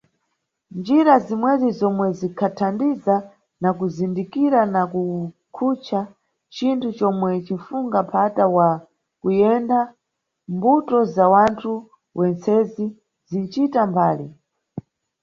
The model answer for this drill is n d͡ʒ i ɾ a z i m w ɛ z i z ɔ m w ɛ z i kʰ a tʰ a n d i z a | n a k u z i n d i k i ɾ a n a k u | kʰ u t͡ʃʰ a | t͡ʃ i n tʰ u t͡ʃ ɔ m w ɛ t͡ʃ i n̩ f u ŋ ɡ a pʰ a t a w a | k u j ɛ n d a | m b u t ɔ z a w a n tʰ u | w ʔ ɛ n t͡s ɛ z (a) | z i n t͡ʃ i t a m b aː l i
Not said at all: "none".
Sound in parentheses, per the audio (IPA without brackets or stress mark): i